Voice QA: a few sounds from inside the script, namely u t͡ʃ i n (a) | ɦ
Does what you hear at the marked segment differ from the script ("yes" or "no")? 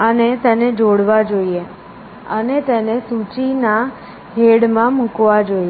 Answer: no